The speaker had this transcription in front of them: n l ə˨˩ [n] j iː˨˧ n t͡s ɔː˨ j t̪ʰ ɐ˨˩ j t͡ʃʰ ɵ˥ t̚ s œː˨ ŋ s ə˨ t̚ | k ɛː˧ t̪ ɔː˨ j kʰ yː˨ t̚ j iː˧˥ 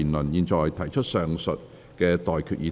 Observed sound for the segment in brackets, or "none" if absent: n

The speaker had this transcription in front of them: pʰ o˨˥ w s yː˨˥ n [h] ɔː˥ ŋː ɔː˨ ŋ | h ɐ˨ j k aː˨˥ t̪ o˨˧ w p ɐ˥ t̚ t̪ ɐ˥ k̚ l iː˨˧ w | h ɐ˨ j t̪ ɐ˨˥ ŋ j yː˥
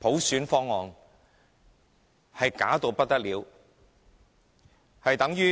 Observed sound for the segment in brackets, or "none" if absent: f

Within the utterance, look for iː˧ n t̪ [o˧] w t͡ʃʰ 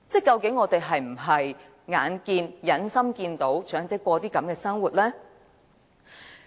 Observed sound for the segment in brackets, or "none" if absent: o˨˥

